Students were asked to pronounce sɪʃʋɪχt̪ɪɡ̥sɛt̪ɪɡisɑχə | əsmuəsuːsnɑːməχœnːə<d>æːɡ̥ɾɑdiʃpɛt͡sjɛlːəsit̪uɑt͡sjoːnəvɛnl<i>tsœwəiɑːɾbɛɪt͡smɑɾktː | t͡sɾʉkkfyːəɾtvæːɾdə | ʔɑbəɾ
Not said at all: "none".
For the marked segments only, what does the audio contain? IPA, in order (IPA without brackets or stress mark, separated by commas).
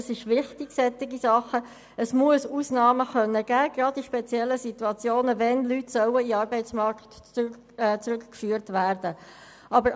ɡ, y